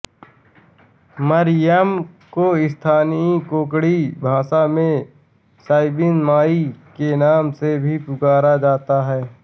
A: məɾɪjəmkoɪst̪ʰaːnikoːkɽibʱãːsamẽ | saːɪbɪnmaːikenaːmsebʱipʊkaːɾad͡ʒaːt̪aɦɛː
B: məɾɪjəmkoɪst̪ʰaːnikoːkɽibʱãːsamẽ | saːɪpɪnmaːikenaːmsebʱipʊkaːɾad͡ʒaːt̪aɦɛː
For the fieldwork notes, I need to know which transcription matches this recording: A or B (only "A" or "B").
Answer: A